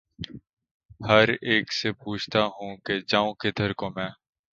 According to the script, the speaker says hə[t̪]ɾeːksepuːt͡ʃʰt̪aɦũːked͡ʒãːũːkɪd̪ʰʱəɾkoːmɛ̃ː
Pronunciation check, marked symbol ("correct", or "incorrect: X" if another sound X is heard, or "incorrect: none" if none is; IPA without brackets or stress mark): incorrect: none